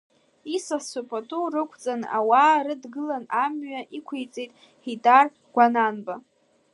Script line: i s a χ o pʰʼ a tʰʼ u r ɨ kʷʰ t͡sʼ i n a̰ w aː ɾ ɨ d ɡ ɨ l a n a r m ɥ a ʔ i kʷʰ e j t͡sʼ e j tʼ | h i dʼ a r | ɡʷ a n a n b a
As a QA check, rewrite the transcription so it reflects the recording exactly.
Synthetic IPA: i s a s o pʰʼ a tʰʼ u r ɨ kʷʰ t͡sʼ a n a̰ w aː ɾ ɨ d ɡ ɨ l a n a m ɥ a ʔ i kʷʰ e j t͡sʼ e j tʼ | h i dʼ a r | ɡʷ a n a n b a